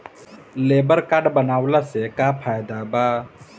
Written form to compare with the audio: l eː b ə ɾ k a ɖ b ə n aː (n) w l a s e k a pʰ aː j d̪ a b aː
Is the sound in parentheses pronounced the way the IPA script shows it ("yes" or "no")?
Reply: no